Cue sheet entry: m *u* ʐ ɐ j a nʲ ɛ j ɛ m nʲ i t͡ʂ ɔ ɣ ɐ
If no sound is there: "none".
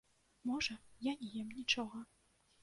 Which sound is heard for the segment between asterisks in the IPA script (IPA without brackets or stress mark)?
ɔ